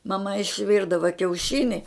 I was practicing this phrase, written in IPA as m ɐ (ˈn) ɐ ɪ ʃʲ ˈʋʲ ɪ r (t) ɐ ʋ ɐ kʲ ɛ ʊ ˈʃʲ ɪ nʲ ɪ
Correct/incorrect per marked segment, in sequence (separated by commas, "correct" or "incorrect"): incorrect, incorrect